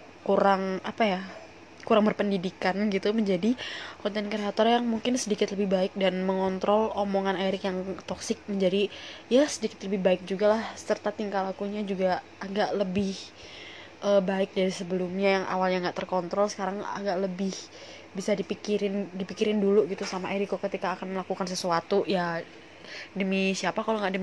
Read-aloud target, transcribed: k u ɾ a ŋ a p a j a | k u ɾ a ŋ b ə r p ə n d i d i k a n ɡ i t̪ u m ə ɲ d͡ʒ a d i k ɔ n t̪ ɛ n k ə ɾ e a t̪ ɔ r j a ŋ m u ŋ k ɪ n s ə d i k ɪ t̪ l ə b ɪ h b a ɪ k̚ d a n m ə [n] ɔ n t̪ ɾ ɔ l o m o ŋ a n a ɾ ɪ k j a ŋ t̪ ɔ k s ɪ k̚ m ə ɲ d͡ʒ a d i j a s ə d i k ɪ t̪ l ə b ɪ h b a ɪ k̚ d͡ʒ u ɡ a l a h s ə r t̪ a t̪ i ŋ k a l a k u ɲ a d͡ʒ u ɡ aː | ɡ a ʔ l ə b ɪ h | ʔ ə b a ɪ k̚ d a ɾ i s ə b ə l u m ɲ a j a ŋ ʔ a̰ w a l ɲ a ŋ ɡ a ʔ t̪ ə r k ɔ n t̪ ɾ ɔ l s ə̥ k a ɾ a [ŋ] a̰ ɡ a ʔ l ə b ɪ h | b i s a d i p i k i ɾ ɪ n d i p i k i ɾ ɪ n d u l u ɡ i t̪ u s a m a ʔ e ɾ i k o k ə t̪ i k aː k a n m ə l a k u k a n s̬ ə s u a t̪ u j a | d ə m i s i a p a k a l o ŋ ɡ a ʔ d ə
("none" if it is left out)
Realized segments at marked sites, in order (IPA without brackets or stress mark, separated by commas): ŋ, ŋ